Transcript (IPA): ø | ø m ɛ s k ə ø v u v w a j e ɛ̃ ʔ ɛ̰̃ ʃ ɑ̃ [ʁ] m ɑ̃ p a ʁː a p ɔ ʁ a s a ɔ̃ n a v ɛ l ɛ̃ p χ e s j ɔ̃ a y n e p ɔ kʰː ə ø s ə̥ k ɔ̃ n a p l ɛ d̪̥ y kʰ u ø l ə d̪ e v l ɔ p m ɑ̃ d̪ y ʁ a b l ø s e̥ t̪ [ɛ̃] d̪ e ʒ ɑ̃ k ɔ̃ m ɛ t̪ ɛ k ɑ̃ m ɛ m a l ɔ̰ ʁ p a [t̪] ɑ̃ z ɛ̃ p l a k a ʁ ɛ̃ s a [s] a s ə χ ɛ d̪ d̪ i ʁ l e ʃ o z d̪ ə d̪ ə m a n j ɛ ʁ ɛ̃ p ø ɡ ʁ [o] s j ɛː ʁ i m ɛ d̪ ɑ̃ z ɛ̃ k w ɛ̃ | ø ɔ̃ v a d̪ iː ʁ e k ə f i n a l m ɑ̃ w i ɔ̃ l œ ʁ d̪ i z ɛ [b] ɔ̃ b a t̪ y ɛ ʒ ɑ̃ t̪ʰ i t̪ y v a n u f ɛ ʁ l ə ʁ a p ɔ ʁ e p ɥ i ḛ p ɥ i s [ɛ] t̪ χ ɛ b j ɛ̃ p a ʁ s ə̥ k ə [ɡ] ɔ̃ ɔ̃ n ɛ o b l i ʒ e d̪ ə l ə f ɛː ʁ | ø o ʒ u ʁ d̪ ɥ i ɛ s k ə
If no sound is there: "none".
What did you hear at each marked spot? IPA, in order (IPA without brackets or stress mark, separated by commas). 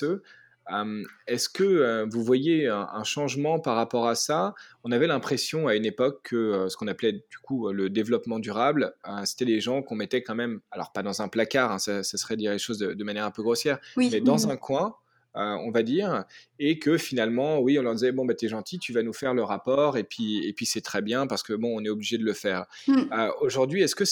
ʒ, ɛ, d̪, s, o, b, ɛ, b